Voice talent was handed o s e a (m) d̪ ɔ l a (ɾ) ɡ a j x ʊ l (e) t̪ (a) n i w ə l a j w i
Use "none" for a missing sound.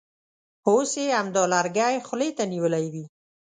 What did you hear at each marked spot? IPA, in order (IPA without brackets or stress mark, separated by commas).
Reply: m, ɾ, e, a